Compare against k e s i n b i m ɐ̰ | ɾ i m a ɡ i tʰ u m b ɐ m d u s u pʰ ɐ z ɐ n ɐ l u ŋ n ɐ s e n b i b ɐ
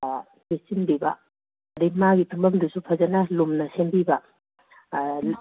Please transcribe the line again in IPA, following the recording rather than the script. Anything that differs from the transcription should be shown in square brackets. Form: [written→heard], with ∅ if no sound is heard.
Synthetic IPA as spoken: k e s i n b i [m→b] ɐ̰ | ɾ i m a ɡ i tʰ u m b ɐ m d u s u pʰ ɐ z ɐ n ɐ l u [ŋ→m] n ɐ s e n b i b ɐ